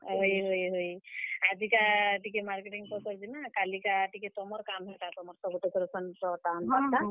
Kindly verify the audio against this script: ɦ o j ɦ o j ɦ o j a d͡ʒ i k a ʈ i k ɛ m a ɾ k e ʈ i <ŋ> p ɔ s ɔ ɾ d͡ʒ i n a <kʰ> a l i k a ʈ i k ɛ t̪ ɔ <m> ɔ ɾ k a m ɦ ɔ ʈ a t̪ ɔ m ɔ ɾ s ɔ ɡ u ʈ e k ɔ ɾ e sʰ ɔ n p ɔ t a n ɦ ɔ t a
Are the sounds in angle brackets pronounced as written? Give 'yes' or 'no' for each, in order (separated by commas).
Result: yes, no, yes